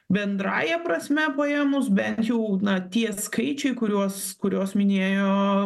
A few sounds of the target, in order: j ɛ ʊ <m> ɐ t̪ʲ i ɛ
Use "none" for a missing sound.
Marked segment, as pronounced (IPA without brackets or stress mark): n